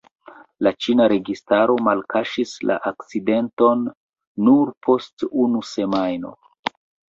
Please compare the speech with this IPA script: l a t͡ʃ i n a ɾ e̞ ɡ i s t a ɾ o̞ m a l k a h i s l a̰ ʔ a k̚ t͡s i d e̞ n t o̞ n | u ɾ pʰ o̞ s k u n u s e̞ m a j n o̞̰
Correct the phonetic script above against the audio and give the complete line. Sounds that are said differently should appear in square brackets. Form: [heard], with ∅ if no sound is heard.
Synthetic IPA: l a t͡ʃ i n a ɾ e̞ ɡ i s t a ɾ o̞ m a l k a [ʃ] i s l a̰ ʔ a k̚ t͡s i d e̞ n t o̞ [nː] | u ɾ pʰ o̞ s [t] u n u s e̞ m a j n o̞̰